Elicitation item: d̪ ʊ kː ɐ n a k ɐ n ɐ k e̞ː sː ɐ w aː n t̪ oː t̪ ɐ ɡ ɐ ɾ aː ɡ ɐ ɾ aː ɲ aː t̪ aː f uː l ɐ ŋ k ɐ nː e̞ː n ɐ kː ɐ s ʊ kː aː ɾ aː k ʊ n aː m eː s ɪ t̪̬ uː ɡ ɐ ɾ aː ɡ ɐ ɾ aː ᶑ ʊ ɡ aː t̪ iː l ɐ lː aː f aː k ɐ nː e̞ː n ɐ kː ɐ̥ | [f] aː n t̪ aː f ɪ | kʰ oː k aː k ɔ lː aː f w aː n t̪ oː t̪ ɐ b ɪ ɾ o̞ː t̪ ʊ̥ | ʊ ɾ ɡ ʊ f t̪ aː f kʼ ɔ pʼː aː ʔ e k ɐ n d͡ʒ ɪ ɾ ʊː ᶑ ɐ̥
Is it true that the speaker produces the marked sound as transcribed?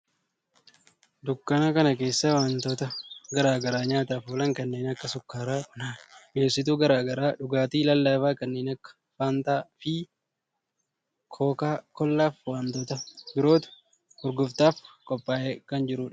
yes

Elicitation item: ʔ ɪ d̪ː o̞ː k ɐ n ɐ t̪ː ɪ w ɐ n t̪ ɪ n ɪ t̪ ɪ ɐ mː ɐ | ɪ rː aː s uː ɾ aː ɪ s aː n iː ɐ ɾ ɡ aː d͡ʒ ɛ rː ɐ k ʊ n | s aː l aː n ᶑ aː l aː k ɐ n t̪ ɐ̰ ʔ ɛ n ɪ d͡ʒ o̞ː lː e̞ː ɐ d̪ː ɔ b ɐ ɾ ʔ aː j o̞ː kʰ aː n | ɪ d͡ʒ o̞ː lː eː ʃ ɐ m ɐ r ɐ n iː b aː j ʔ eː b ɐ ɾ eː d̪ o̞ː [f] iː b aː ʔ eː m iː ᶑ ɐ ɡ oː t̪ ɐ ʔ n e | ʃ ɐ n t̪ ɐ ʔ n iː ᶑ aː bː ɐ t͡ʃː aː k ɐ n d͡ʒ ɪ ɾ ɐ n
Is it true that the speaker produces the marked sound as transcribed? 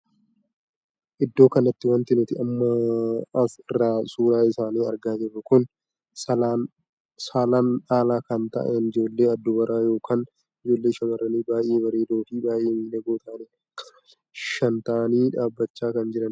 yes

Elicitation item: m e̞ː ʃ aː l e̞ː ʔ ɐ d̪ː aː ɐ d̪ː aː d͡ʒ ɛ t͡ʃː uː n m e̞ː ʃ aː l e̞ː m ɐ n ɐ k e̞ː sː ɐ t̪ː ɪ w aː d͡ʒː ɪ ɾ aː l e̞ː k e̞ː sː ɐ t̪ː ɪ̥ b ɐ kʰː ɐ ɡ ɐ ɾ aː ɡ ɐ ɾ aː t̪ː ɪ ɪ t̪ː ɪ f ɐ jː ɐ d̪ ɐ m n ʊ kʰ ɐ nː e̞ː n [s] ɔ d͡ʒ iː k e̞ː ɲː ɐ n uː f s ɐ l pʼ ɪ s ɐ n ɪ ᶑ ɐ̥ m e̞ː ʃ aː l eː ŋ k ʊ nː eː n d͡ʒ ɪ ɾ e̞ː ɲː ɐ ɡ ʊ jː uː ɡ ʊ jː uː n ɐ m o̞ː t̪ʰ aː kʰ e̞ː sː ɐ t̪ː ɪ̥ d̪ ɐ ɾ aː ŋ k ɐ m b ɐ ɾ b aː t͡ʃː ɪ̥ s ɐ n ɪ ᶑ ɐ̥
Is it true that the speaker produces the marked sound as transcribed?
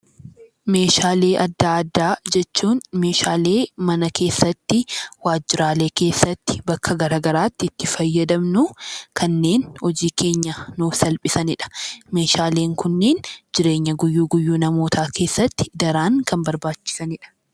no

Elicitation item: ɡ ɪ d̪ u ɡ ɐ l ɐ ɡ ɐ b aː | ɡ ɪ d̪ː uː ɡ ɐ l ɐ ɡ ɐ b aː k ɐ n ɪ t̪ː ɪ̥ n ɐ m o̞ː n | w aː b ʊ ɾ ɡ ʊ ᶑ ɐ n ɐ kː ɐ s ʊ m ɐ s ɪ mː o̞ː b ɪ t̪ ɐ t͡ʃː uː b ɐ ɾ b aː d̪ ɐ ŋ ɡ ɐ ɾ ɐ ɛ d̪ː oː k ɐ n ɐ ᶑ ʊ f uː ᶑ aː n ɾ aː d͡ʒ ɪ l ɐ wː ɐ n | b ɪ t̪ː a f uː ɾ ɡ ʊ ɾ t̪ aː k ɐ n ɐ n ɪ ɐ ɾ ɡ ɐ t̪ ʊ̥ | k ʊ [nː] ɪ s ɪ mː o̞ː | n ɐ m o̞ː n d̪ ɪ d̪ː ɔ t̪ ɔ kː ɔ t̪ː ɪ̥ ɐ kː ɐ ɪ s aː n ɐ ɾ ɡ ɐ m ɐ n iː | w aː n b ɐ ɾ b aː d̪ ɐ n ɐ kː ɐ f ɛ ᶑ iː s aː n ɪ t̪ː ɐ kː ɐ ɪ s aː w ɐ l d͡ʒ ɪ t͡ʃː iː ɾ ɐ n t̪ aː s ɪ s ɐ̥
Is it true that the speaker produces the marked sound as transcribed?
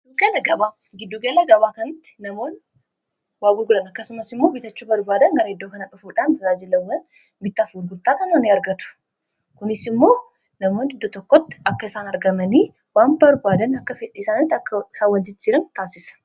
no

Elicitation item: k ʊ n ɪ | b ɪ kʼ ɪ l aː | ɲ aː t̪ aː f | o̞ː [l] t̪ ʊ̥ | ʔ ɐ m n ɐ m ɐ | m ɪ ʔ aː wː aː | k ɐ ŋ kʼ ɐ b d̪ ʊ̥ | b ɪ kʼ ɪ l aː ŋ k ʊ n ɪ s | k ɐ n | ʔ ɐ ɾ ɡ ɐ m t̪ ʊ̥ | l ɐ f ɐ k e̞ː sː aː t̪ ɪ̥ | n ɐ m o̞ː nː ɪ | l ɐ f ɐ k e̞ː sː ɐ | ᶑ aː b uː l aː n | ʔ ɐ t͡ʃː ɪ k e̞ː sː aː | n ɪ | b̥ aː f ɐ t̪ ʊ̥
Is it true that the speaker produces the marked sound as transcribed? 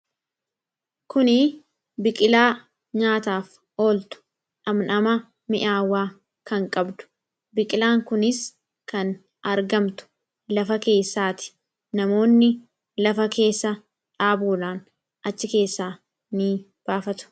yes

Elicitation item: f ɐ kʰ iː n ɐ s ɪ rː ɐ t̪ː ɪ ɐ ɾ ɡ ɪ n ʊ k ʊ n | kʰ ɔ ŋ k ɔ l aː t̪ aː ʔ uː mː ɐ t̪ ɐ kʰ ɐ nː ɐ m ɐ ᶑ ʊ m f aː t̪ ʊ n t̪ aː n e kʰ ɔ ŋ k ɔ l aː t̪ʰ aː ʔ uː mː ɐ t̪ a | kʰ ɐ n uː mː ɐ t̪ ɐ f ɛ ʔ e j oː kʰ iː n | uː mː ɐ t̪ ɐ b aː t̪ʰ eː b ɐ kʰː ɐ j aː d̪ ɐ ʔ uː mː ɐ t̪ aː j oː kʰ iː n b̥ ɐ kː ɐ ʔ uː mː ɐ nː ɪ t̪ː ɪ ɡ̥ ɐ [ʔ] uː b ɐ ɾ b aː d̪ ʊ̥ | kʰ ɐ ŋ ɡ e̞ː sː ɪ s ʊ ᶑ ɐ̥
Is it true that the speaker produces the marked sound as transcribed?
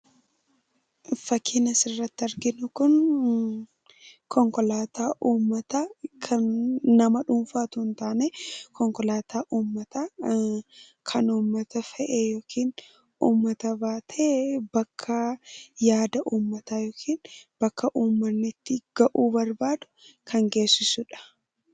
yes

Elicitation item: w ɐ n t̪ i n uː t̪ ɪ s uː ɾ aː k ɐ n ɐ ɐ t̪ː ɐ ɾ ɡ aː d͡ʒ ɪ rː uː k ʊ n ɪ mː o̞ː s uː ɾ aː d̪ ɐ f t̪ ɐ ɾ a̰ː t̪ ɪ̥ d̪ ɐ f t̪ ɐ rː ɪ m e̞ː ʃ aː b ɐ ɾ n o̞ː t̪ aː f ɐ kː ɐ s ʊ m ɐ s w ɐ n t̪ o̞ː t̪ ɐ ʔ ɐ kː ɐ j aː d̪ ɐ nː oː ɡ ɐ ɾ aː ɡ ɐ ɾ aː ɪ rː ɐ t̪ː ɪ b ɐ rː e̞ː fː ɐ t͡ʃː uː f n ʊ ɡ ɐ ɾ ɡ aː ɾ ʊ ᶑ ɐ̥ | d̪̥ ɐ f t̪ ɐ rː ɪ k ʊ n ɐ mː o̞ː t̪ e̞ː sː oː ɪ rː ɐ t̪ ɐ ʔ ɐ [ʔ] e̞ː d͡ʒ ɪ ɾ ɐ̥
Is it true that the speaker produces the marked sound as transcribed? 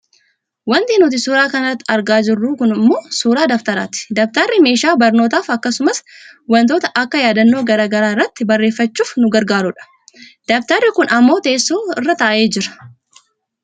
yes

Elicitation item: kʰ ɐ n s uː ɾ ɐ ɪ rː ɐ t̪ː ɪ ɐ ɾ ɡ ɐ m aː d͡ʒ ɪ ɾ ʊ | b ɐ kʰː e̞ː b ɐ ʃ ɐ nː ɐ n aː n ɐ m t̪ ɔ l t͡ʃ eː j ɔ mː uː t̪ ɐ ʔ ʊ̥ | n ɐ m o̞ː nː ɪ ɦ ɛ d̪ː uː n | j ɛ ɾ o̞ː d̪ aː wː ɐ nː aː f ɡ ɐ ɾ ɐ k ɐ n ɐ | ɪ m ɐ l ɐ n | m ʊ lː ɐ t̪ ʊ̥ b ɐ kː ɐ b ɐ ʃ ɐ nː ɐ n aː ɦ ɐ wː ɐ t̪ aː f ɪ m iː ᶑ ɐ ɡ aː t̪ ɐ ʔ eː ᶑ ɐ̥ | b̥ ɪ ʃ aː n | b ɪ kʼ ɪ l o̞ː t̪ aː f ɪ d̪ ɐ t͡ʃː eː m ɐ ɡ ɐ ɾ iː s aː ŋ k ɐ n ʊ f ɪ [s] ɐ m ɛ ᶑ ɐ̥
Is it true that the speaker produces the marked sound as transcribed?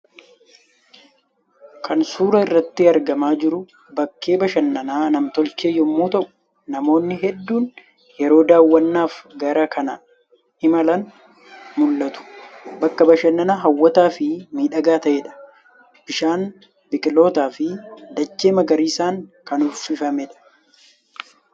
no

